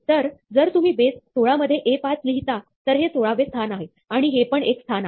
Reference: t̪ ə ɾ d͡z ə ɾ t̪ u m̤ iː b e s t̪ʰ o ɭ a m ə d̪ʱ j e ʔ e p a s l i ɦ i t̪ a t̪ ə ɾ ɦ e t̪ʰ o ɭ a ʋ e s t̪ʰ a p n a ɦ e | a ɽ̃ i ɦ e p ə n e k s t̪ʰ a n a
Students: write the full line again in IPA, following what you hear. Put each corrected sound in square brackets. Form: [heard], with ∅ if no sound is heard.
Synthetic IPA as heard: t̪ ə ɾ d͡z ə ɾ t̪ u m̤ iː b e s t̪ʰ o ɭ a m ə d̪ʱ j e ʔ e p a [t͡s] l i ɦ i t̪ a t̪ ə ɾ ɦ e t̪ʰ o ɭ a ʋ e s t̪ʰ a [∅] n a ɦ e | a ɽ̃ i ɦ e p ə [ɳ] e k s t̪ʰ a n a